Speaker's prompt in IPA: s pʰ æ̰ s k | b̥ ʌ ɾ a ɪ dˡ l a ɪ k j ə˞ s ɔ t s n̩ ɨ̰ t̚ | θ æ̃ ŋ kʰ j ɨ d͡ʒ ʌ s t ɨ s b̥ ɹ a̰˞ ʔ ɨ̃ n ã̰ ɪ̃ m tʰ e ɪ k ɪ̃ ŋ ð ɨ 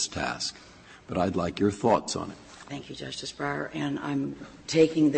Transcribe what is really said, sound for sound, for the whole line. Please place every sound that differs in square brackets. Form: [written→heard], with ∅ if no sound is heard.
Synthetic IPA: s [pʰ→tʰ] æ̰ s k | b̥ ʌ ɾ a ɪ dˡ l a ɪ k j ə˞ [s→θ] ɔ t s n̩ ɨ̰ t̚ | θ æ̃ ŋ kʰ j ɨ d͡ʒ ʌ s t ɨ s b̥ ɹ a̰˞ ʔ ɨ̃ n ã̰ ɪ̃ m tʰ e ɪ k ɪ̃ ŋ ð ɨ